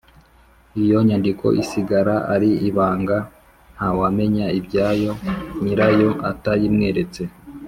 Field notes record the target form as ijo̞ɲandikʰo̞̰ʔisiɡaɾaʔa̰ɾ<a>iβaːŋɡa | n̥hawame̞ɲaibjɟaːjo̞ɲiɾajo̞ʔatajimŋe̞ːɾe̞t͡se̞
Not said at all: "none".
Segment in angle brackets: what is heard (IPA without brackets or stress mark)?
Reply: i